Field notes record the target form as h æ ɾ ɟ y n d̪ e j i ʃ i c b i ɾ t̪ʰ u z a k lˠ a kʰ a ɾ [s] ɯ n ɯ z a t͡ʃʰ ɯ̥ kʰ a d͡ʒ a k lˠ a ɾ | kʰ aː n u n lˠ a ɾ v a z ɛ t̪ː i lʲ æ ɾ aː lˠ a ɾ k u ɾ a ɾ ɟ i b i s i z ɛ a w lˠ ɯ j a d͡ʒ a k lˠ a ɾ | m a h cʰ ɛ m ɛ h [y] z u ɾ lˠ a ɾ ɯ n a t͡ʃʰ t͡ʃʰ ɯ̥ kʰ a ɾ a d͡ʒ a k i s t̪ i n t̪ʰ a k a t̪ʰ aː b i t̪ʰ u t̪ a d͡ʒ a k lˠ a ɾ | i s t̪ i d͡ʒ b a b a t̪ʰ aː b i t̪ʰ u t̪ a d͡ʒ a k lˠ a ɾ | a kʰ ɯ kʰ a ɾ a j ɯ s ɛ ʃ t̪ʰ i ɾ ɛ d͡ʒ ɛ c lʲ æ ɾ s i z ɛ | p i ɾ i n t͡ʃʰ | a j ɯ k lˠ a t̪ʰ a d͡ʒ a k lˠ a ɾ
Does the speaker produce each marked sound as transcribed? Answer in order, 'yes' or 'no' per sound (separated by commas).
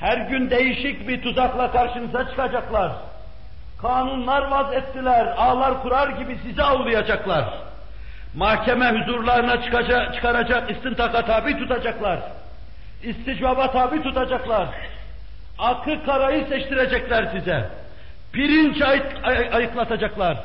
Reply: no, yes